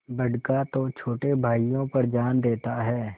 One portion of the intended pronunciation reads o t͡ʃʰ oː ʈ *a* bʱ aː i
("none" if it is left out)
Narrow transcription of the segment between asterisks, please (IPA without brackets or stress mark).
e